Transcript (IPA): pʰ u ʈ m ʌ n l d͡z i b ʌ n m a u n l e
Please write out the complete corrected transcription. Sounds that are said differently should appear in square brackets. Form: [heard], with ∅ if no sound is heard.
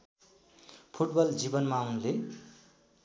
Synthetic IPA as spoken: pʰ u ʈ [b] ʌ [∅] l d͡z i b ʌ n m a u n l e